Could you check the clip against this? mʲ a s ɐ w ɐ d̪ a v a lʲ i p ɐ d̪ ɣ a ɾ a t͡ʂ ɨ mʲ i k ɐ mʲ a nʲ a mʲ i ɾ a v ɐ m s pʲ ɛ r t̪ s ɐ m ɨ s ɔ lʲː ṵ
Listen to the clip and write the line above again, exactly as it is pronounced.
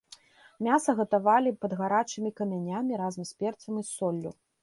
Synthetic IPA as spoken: mʲ a s ɐ ɣ ɐ t̪ a v a lʲ i p ɐ d̪ ɣ a ɾ a t͡ʂ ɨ mʲ i k ɐ mʲ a nʲ a mʲ i ɾ a z ɐ m s pʲ ɛ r t̪ s ɐ m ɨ s ɔ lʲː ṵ